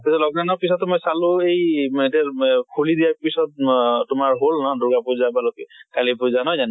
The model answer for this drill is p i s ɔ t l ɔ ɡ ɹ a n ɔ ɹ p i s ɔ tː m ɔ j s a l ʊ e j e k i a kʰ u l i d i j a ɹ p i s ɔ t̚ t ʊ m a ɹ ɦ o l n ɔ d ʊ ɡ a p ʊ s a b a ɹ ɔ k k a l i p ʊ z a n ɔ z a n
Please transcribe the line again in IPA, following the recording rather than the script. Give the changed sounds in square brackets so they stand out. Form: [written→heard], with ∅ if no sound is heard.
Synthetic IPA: p i s ɔ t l ɔ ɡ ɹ a n ɔ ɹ p i s ɔ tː m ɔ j s a l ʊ e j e [k→t] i a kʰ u l i d i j a ɹ p i s ɔ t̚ t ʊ m a ɹ ɦ o l n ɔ d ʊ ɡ a p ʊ [s→z] a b a [ɹ→l] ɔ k k a l i p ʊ z a n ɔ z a n